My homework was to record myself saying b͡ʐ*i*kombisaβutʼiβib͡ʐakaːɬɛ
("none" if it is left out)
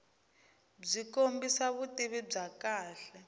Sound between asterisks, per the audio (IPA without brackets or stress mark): i